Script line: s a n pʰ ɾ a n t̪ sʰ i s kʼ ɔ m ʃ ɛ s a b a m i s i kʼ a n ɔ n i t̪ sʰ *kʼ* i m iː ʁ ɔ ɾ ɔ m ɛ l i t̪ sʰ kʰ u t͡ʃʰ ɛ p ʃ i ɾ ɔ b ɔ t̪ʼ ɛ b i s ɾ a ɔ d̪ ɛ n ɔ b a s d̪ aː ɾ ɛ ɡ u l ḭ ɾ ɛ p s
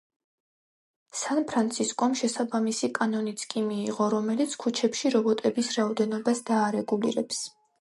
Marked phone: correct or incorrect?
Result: correct